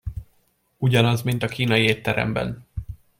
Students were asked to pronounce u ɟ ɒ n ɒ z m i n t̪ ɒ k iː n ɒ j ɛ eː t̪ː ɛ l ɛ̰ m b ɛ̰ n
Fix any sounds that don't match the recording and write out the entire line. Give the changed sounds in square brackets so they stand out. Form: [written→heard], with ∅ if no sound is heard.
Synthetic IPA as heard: u ɟ ɒ n ɒ z m i n t̪ ɒ k iː n ɒ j [ɛ→i] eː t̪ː ɛ [l→ɾ] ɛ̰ m b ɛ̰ n